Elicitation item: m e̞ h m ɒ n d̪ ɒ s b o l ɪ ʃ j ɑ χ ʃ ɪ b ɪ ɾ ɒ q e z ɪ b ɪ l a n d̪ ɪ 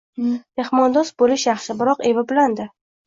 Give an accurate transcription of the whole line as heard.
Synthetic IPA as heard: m e̞ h m ɒ n d̪ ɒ s b o l ɪ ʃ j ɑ χ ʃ ɪ b ɪ ɾ ɒ q e v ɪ b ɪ l a n d̪ ɪ